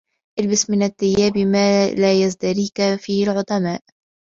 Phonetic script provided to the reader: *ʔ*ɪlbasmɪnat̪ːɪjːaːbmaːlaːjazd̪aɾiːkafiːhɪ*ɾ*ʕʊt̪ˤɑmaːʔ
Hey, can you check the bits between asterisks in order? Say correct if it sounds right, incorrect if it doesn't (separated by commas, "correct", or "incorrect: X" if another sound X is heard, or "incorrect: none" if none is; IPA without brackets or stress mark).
correct, incorrect: l